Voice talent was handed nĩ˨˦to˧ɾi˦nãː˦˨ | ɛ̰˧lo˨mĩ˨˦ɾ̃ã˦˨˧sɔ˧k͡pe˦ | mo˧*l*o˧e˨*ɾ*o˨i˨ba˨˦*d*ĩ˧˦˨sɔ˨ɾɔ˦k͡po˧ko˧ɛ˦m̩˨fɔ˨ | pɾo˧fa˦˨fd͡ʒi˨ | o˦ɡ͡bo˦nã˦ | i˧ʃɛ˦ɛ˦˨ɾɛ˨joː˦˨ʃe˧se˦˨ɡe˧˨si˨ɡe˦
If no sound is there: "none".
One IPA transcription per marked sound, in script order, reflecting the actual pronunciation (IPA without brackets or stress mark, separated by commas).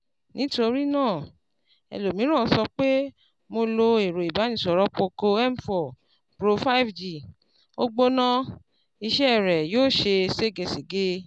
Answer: l, ɾ, n